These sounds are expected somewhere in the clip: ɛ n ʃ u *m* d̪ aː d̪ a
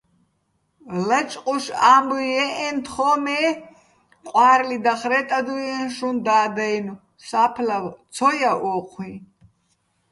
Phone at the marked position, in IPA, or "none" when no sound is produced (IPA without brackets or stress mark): n